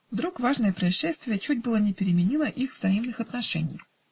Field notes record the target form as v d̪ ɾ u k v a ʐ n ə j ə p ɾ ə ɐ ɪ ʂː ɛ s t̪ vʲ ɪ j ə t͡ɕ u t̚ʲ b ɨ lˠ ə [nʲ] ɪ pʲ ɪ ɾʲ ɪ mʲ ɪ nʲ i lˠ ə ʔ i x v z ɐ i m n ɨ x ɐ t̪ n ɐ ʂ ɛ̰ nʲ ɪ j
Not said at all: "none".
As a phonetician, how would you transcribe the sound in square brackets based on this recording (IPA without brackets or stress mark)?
nʲ